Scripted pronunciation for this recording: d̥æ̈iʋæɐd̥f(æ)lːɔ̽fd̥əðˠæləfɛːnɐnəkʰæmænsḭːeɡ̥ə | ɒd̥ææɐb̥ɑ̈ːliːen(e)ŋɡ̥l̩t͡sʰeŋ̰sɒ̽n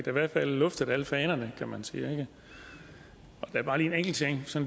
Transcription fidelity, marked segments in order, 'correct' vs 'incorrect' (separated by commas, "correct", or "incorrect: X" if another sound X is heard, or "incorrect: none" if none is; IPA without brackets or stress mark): correct, correct